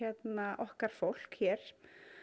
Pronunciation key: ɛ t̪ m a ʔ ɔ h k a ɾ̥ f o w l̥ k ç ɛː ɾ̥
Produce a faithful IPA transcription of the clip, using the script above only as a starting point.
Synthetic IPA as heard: ɛ t̪ n a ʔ ɔ h k a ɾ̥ f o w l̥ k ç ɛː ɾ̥